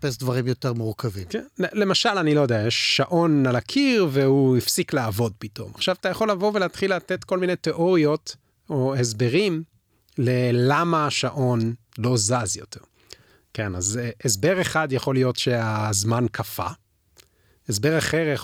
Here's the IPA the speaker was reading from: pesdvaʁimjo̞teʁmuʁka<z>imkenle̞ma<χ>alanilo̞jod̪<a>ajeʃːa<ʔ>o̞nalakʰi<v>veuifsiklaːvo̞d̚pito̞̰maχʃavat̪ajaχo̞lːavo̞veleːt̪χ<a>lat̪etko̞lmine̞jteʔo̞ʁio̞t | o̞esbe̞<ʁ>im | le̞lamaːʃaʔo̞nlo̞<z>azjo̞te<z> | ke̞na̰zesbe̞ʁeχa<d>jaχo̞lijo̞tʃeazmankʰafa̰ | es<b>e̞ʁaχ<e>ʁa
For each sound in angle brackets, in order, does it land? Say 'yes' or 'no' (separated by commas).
no, no, no, yes, no, no, yes, yes, no, yes, yes, yes